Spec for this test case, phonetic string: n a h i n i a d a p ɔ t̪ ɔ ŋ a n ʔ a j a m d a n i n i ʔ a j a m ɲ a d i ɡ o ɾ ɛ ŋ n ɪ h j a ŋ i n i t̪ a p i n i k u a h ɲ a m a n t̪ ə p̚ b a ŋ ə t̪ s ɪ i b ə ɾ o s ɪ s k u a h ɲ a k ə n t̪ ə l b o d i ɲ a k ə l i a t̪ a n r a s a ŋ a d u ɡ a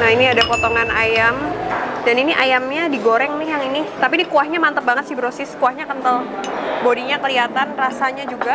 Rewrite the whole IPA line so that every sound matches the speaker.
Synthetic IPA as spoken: n a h i n i a d a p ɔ t̪ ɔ ŋ a n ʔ a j a m d a n i n i ʔ a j a m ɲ a d i ɡ o ɾ ɛ ŋ n ɪ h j a ŋ i n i t̪ a p i n i k u a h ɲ a m a n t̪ ə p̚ b a ŋ ə t̪ s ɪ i b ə ɾ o s ɪ s k u a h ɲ a k ə n t̪ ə l b o d i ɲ a k ə l i a t̪ a n r a s a ɲ a d͡ʒ u ɡ a